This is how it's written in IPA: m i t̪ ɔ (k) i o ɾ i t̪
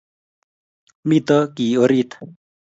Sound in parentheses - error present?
no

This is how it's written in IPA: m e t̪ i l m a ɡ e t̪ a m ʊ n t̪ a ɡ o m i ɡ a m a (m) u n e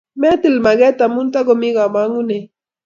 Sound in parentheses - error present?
yes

